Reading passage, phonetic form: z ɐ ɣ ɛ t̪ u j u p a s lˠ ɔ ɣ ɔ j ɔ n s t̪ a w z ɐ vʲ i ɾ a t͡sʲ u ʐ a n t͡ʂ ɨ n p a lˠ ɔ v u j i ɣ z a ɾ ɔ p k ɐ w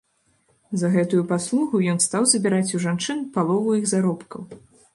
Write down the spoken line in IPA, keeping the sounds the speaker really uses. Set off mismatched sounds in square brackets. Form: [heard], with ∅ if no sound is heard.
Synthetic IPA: z ɐ ɣ ɛ t̪ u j u p a s lˠ [u] ɣ [u] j ɔ n s t̪ a w z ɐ [bʲ] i ɾ a t͡sʲ u ʐ a n t͡ʂ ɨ n p a lˠ ɔ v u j i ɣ z a ɾ ɔ p k ɐ w